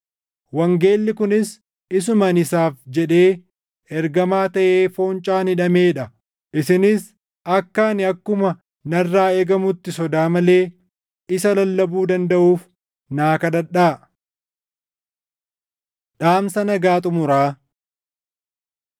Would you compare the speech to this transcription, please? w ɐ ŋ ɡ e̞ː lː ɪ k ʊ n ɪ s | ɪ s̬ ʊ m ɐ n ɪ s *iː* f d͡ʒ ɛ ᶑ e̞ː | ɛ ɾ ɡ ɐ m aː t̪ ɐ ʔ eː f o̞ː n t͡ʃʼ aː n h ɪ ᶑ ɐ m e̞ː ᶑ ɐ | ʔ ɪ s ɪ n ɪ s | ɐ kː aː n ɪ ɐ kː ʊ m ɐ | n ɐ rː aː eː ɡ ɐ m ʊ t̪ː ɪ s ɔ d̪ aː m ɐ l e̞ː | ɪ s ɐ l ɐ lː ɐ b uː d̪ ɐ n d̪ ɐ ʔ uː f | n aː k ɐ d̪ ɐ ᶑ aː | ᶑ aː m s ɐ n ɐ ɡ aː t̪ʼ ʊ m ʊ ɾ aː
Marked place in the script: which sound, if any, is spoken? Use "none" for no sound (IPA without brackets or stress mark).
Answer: aː